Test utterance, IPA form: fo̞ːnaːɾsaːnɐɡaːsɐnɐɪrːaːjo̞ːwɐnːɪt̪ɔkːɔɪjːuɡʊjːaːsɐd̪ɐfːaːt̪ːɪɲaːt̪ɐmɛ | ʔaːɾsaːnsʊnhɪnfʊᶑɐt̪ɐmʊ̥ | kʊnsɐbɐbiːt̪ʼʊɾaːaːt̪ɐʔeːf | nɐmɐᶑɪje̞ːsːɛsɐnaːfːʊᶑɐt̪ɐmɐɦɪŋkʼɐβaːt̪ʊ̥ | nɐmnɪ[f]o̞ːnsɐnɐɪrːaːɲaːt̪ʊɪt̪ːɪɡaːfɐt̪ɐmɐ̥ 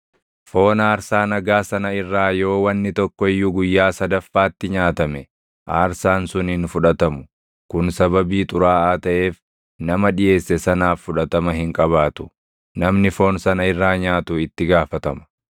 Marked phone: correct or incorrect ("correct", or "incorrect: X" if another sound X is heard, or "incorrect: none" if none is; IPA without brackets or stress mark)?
correct